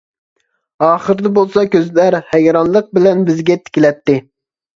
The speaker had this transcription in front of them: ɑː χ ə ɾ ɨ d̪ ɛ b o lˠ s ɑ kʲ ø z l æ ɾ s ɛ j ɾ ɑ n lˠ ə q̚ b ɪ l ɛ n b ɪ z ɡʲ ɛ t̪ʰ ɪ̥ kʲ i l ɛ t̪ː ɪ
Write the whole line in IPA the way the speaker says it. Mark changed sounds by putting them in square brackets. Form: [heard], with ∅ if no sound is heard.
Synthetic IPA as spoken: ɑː χ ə ɾ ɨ d̪ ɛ b o lˠ s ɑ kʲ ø z l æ ɾ [h] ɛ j ɾ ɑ n lˠ ə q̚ b ɪ l ɛ n b ɪ z ɡʲ ɛ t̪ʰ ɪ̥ kʲ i l ɛ t̪ː ɪ